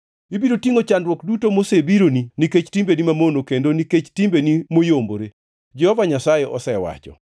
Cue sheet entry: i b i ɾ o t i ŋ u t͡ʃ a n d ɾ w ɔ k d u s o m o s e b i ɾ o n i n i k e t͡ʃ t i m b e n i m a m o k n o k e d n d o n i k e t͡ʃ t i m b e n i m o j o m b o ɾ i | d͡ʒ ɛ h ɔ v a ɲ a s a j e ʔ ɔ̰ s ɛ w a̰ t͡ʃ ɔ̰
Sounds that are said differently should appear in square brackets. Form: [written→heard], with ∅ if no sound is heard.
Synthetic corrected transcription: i b i ɾ o t i ŋ [u→o] t͡ʃ a n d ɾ w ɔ k d u [s→t] o m o s e b i ɾ o n i n i k e t͡ʃ t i m b e n i m a m o [k→∅] n o k e [d→∅] n d o n i k e t͡ʃ t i m b e n i m o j o m b o ɾ [i→e] | d͡ʒ ɛ h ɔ v a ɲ a s a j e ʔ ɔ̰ s ɛ w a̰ t͡ʃ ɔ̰